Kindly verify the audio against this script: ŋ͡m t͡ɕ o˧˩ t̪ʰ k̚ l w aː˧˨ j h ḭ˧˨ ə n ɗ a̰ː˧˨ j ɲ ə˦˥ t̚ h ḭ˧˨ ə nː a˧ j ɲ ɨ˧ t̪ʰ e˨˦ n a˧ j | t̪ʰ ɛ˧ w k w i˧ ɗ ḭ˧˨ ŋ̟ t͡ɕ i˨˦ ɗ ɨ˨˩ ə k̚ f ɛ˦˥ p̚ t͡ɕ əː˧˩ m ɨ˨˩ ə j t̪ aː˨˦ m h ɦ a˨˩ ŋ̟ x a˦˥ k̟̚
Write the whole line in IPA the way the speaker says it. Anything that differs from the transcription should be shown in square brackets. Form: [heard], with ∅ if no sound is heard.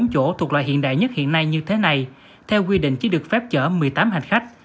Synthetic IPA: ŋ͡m t͡ɕ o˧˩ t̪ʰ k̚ l w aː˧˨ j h ḭ˧˨ ə n ɗ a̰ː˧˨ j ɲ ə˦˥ t̚ h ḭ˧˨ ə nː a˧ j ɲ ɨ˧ t̪ʰ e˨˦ n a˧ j | t̪ʰ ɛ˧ w k w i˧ ɗ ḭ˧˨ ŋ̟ t͡ɕ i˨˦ ɗ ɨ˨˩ ə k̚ f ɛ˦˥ p̚ t͡ɕ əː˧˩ m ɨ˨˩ ə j t̪ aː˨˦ m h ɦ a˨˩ ŋ̟ x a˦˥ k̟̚